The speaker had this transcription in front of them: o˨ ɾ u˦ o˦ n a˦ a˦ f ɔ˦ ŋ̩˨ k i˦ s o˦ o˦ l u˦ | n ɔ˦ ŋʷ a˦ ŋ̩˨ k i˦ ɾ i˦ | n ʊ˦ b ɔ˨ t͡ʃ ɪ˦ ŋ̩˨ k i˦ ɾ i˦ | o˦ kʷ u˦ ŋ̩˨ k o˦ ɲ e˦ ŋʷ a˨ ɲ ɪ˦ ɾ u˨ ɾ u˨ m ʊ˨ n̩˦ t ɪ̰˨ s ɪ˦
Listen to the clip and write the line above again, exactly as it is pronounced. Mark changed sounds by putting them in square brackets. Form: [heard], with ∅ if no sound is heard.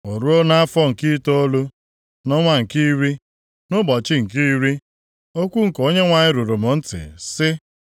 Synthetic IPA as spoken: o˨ ɾ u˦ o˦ n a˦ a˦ f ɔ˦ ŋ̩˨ k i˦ [t] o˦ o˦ l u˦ | n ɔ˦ ŋʷ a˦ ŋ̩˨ k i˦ ɾ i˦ | n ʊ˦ b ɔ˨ t͡ʃ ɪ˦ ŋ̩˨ k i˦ ɾ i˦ | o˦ kʷ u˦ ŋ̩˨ k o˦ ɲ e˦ ŋʷ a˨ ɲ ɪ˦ ɾ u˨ ɾ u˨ m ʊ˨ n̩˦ t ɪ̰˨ s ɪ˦